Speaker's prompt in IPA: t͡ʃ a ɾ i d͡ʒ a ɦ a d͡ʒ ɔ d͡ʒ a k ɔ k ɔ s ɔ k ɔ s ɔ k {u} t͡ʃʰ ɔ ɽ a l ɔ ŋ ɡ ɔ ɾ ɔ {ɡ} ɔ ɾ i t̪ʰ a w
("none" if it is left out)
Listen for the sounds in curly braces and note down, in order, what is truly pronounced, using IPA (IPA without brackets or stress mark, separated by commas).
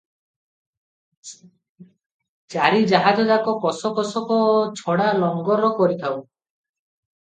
ɔ, k